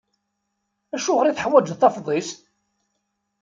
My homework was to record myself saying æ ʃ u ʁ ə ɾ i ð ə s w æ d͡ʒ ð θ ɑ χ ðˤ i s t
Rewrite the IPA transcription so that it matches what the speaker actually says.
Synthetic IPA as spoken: æ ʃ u ʁ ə ɾ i θ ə ħ w æ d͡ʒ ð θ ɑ f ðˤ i s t